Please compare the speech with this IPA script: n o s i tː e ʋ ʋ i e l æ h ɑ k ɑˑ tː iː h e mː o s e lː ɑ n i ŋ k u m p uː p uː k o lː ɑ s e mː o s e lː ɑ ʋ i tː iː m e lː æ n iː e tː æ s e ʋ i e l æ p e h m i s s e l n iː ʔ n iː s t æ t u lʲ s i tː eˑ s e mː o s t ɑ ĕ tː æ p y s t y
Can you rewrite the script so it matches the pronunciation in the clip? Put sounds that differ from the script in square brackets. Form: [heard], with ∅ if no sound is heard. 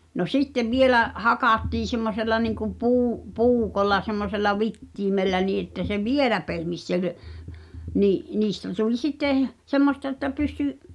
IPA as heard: n o s i tː e ʋ ʋ i e l æ h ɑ k ɑˑ tː iː [s] e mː o s e lː ɑ n i ŋ k u m p uː p uː k o lː ɑ s e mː o s e lː ɑ ʋ i tː iː m e lː æ n iː e tː æ s e ʋ i e l æ p e h m i s s e l n iː ʔ n iː s t æ t u lʲ s i tː eˑ s e mː o s t ɑ ĕ tː æ p y s t y